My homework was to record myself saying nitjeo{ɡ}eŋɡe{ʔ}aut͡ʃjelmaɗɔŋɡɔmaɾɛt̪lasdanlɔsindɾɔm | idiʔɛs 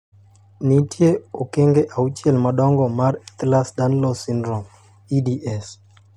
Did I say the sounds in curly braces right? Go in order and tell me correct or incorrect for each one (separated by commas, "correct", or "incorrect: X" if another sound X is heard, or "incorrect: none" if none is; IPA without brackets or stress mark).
incorrect: k, correct